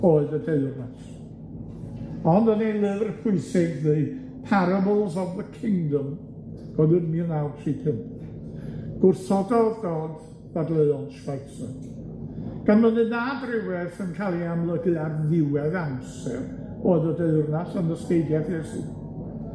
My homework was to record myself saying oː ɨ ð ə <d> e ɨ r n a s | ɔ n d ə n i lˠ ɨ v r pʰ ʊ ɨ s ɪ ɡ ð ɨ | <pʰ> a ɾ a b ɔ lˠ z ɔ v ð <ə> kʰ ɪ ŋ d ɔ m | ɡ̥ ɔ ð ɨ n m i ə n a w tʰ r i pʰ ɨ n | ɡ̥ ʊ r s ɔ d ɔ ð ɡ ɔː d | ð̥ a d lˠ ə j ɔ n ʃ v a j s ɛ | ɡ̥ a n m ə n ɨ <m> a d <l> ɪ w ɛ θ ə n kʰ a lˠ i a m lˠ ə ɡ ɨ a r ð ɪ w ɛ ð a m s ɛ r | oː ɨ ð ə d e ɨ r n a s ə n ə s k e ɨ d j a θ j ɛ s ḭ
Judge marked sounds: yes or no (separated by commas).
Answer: yes, yes, yes, no, no